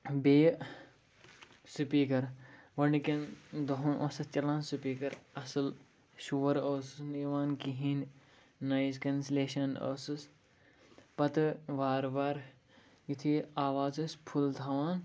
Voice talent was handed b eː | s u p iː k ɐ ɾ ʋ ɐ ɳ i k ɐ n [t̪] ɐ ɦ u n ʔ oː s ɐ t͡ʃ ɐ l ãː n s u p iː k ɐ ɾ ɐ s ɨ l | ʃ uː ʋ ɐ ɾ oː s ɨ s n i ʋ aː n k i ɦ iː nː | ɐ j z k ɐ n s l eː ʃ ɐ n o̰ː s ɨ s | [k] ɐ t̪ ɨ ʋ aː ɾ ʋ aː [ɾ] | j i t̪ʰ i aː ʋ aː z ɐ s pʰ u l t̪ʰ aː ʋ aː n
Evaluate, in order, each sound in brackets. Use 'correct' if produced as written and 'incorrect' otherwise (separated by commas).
incorrect, incorrect, correct